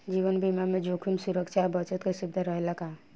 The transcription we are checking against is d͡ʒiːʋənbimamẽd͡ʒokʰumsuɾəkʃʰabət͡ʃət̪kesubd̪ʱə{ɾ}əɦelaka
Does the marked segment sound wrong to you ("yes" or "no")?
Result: no